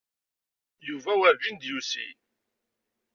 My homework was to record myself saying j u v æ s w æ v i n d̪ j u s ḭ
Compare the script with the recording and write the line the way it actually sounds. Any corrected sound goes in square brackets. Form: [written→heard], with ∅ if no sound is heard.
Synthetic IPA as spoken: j u v æ [s→∅] w æ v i n d̪ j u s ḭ